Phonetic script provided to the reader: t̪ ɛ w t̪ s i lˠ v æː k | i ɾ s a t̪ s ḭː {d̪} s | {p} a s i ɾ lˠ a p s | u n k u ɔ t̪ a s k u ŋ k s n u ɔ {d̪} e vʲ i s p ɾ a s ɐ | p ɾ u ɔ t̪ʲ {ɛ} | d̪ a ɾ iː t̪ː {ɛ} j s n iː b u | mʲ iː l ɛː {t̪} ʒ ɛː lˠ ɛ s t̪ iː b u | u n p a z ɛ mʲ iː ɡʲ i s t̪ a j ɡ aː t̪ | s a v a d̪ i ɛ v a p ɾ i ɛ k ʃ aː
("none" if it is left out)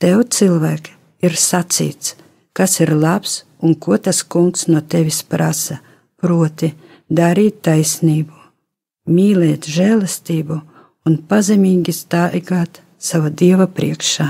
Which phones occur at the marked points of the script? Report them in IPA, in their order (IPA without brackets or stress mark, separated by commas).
t̪, k, t̪, i, a, t̪